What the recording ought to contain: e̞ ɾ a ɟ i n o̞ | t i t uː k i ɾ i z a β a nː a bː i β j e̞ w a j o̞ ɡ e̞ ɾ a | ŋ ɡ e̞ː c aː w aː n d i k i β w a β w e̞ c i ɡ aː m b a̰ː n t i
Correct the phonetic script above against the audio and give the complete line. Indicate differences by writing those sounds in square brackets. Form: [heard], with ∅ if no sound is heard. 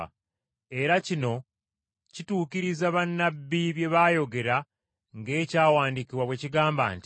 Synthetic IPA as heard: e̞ ɾ a [c] i n o̞ | [c] i t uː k i ɾ i z a β a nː a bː i β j e̞ [β] a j o̞ ɡ e̞ ɾ a | ŋ ɡ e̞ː c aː w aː n d i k i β w a β w e̞ c i ɡ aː m b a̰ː n t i